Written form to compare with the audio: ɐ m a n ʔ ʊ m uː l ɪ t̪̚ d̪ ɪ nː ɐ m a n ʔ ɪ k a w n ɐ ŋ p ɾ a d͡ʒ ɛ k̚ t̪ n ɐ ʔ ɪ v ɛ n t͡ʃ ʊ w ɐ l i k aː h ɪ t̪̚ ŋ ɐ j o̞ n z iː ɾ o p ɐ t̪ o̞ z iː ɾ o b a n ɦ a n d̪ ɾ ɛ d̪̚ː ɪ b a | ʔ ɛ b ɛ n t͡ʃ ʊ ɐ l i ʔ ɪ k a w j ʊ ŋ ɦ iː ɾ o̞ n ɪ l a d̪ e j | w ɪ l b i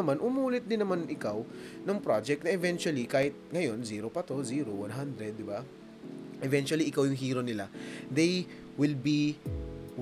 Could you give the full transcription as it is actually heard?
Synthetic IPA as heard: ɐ m a n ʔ ʊ m uː l ɪ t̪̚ d̪ ɪ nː ɐ m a n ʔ ɪ k a w n ɐ ŋ p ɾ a d͡ʒ ɛ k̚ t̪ n ɐ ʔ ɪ v ɛ n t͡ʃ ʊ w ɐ l i k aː h ɪ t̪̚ ŋ ɐ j o̞ n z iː ɾ o p ɐ t̪ o̞ z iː ɾ o w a n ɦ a n d̪ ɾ ɛ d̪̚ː ɪ b a | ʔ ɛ v ɛ n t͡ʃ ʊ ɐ l i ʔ ɪ k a w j ʊ ŋ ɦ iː ɾ o̞ n ɪ l a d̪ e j | w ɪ l b i